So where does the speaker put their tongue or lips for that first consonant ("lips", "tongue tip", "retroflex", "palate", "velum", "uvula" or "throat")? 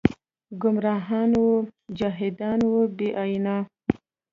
velum